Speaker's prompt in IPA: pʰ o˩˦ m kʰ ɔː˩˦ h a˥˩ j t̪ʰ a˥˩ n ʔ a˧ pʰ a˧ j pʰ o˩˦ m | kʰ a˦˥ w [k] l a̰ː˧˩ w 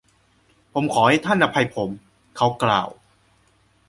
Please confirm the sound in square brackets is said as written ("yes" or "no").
yes